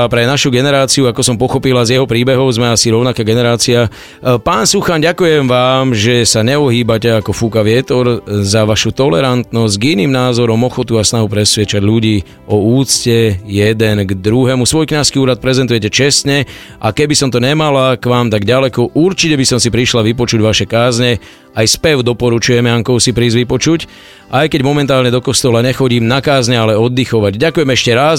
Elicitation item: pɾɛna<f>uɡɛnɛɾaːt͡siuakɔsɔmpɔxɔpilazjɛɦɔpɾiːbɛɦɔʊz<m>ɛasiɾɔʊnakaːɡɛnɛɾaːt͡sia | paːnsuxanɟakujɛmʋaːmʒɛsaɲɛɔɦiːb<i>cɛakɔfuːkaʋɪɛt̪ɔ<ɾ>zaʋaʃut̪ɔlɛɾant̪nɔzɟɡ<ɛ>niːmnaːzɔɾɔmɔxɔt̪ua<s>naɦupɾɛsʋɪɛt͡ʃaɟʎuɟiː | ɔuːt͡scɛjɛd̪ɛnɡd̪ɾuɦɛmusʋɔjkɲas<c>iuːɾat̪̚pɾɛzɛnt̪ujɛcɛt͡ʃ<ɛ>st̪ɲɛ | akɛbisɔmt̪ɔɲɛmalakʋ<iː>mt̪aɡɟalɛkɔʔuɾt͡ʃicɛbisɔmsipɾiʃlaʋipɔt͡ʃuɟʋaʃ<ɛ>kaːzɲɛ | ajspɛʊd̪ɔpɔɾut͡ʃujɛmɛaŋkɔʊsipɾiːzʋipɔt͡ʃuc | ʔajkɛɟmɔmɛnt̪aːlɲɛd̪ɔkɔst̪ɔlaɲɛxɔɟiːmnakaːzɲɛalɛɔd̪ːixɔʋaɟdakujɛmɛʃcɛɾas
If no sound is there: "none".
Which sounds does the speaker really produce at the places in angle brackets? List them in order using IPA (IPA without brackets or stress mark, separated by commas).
ʃ, m, a, ɾ, i, s, k, ɛ, aː, ɛ